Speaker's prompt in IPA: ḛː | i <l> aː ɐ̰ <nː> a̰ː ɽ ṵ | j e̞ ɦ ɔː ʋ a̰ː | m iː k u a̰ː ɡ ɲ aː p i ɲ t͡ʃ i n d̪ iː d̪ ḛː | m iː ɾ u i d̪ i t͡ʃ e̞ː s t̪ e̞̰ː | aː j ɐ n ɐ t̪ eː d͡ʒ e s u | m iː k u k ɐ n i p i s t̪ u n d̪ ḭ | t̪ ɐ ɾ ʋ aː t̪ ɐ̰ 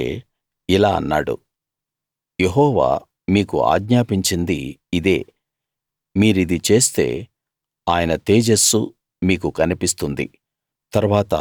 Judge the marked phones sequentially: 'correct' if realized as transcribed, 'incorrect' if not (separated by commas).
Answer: correct, correct